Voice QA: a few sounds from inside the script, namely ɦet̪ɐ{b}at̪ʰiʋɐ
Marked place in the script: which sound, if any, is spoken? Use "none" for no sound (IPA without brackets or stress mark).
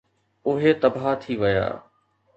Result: b